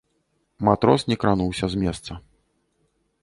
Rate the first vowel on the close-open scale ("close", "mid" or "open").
open